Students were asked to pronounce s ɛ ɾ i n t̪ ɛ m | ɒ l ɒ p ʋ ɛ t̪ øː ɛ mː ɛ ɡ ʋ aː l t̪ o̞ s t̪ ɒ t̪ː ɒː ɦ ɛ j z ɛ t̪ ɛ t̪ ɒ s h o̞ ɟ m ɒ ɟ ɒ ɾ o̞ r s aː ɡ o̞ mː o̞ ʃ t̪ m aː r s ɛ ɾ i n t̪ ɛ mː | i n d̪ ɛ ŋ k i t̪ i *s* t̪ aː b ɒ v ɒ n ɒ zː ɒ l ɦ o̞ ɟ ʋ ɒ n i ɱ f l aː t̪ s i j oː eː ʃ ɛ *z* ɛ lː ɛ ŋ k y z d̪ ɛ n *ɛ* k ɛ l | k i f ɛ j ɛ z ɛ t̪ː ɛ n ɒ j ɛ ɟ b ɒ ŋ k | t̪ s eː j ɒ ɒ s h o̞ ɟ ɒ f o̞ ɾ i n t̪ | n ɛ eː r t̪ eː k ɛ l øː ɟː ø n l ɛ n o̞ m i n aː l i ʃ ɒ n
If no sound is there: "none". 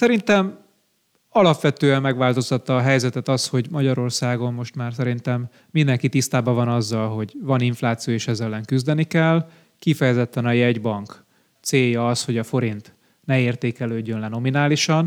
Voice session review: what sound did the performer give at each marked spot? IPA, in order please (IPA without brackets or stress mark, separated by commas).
s, z, i